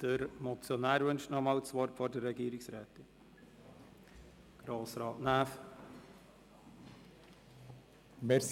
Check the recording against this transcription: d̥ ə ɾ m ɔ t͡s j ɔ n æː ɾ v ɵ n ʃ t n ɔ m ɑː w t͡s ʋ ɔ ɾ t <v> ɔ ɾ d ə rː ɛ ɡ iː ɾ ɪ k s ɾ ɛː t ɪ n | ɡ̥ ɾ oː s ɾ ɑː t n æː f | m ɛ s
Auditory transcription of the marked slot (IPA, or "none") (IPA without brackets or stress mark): f